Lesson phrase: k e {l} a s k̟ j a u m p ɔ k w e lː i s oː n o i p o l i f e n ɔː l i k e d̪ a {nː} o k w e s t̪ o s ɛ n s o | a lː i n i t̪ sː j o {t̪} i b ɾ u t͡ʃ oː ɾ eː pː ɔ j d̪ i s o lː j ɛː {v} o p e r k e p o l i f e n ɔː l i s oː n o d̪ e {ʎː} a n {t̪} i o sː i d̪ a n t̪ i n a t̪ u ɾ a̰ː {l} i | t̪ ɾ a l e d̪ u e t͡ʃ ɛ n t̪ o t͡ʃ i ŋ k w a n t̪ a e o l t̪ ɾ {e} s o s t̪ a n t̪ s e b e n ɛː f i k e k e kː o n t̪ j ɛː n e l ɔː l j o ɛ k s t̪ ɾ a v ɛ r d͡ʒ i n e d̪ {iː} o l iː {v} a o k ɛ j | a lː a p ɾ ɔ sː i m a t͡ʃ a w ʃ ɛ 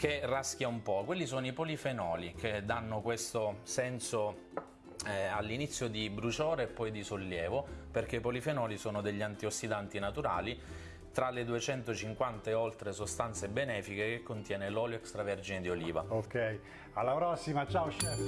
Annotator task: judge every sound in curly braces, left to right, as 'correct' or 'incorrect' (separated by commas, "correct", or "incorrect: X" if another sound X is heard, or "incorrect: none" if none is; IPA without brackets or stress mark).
incorrect: r, correct, incorrect: d̪, correct, correct, correct, correct, correct, incorrect: i, correct